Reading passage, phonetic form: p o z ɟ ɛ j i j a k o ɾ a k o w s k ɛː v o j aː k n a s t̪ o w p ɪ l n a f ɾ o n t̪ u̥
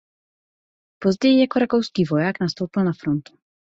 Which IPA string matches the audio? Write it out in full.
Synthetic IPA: p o z ɟ ɛ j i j a k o ɾ a k o w s k iː v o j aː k n a s t̪ o w p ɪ l n a f ɾ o n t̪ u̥

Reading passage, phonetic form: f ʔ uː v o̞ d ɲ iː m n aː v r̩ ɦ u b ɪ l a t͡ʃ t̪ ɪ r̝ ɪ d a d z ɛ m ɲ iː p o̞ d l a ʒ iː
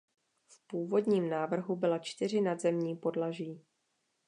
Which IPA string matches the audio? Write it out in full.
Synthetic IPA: f p uː v o̞ d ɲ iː m n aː v r̩ ɦ u b ɪ l a t͡ʃ t̪ ɪ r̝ ɪ n a d z ɛ m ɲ iː p o̞ d l a ʒ iː

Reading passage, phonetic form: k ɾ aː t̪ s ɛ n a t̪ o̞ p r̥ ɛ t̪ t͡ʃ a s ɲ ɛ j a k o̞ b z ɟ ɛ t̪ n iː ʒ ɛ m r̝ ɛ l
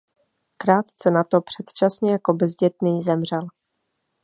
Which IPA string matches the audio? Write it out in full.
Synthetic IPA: k ɾ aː t̪ t͡s ɛ n a t̪ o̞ p r̥ ɛ t̪ t͡ʃ a s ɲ ɛ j a k o̞ b z ɟ ɛ t̪ n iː z ɛ m r̝ ɛ l

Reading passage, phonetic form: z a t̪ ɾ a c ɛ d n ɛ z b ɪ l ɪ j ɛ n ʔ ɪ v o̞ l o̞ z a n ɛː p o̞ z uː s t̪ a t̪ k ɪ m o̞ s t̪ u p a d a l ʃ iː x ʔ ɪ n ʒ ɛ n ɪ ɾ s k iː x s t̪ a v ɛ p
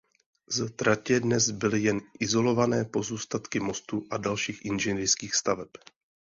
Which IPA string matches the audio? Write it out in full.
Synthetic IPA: z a t̪ ɾ a c ɛ d n ɛ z b ɪ l ɪ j ɛ n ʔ ɪ z o̞ l o̞ v a n ɛː p o̞ z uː s t̪ a t̪ k ɪ m o̞ s t̪ u ʔ a d a l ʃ iː x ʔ ɪ n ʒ ɛ n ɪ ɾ s k iː x s t̪ a v ɛ p

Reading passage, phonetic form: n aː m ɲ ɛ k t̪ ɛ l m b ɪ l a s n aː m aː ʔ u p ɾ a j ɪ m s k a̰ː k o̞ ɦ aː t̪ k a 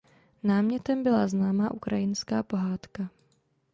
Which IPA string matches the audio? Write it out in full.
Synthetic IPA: n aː m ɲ ɛ t̪ ɛ m b ɪ l a z n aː m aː ʔ u k ɾ a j ɪ n s k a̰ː p o̞ ɦ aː t̪ k a

